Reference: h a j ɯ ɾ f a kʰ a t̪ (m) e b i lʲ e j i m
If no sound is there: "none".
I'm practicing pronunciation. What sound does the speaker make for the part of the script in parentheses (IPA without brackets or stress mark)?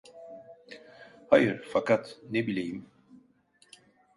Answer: n